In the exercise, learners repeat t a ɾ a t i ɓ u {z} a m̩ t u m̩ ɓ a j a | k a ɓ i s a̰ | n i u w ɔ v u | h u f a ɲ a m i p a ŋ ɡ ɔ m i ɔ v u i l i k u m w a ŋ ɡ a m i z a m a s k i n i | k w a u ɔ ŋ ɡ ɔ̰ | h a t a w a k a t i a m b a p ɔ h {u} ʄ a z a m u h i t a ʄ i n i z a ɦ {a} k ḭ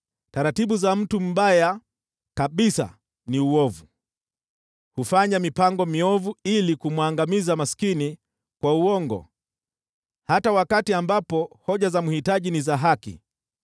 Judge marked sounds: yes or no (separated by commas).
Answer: yes, no, yes